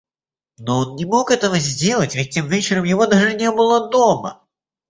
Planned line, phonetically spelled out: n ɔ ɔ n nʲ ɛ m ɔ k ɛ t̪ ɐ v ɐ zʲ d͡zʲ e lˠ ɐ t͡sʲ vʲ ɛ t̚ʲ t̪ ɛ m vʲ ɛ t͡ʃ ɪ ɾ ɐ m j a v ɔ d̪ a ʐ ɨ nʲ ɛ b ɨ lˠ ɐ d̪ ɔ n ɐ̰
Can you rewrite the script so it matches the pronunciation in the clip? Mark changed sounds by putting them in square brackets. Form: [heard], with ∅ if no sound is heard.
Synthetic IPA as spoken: n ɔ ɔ n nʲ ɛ m ɔ k ɛ t̪ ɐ v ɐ zʲ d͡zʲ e lˠ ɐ t͡sʲ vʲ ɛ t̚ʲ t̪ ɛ m vʲ ɛ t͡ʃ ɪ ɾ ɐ m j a v ɔ d̪ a ʐ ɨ nʲ ɛ b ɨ lˠ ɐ d̪ ɔ [m] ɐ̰

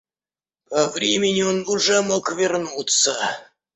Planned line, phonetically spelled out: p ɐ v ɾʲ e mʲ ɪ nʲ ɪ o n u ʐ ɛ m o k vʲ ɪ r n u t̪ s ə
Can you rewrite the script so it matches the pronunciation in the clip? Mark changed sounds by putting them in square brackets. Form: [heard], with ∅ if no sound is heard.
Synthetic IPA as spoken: p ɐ v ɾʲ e mʲ ɪ nʲ ɪ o n [ʊ] ʐ ɛ m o k vʲ ɪ r n u t̪ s ə

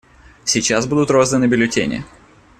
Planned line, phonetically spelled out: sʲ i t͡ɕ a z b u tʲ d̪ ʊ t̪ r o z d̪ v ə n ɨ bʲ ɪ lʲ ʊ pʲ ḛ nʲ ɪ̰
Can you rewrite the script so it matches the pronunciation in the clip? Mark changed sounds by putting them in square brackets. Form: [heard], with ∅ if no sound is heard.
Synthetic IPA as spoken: sʲ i t͡ɕ a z b u [∅] d̪ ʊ t̪ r o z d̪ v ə n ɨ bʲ ɪ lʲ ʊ [tʲ] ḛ nʲ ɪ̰

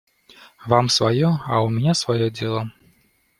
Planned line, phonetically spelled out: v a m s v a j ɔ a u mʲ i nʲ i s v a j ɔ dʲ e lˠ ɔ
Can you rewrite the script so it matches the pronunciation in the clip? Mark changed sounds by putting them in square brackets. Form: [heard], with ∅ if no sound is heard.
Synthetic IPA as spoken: v a m s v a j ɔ a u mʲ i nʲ [a] s v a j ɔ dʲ e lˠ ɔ

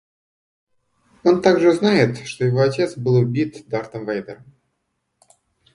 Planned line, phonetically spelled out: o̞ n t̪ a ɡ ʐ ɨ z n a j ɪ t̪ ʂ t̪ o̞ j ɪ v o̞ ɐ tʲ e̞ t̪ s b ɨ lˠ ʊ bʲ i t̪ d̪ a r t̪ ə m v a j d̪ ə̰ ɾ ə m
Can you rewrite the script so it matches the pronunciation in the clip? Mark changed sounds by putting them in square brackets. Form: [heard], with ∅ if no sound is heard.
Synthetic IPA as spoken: o̞ n t̪ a ɡ ʐ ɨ z n a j ɪ t̪ ʂ t̪ o̞ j ɪ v o̞ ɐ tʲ e̞ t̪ s b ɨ lˠ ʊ bʲ i t̪ d̪ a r t̪ ə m v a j d̪ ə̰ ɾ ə m

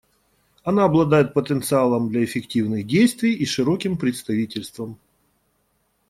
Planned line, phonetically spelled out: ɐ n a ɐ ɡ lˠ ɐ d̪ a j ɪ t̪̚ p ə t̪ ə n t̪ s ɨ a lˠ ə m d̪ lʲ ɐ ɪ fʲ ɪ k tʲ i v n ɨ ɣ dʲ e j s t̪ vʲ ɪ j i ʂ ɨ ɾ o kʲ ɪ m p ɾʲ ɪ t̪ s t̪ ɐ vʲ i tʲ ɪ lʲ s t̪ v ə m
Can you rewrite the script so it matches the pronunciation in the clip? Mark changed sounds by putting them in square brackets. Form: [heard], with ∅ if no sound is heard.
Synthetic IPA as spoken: ɐ n a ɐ [b] lˠ ɐ d̪ a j ɪ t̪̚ p ə t̪ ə n t̪ s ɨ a lˠ ə m d̪ lʲ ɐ ɪ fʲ ɪ k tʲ i v n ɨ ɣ dʲ e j s t̪ vʲ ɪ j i ʂ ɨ ɾ o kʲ ɪ m p ɾʲ ɪ t̪ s t̪ ɐ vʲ i tʲ ɪ lʲ s t̪ v ə m

